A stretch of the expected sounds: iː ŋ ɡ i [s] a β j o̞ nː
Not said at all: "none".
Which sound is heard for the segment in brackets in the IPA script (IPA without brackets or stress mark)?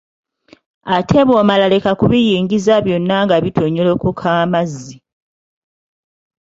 z